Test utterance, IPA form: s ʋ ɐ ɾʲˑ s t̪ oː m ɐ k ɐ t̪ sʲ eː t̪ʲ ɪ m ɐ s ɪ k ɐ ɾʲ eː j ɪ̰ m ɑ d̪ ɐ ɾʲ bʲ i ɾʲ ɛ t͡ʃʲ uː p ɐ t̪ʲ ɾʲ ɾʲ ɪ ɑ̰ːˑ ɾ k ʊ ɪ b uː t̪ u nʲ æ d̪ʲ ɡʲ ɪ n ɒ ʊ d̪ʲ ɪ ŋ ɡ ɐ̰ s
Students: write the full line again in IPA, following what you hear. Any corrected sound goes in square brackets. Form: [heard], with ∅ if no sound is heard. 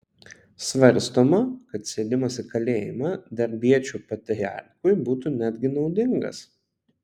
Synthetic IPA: s ʋ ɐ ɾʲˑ s t̪ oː m ɐ k ɐ t̪ sʲ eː [d̪ʲ] ɪ m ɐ s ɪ k ɐ [lʲ] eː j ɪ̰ m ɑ d̪ ɐ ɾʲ bʲ i [∅] ɛ t͡ʃʲ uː p ɐ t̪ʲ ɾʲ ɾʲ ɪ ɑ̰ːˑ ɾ k ʊ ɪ b uː t̪ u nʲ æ d̪ʲ ɡʲ ɪ n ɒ ʊ d̪ʲ ɪ ŋ ɡ ɐ̰ s

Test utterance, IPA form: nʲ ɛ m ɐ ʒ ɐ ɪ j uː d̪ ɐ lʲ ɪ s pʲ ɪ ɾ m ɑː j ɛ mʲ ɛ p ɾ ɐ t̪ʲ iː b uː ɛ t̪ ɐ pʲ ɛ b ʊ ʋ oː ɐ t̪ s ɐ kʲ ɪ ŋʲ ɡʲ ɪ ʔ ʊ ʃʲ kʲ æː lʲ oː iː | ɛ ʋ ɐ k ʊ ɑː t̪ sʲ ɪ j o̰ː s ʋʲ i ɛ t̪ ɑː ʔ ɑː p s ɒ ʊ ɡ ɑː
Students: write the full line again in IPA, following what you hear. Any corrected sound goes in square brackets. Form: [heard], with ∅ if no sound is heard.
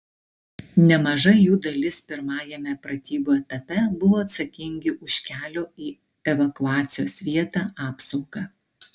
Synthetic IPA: nʲ ɛ m ɐ ʒ ɐ ɪ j uː d̪ ɐ lʲ ɪ s pʲ ɪ ɾ m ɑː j ɛ mʲ ɛ p ɾ ɐ t̪ʲ iː b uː ɛ t̪ ɐ pʲ ɛ b ʊ ʋ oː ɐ t̪ s ɐ kʲ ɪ ŋʲ ɡʲ ɪ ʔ ʊ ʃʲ kʲ æː lʲ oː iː | ɛ ʋ ɐ k ʊ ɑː t̪ sʲ ɪ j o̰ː s ʋʲ i ɛ t̪ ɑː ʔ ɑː p s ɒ ʊ ɡ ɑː

